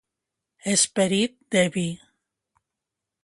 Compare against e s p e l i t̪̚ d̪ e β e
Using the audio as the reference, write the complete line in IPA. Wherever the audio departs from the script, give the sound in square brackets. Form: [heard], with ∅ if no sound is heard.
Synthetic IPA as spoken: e s p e [ɾ] i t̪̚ d̪ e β [i]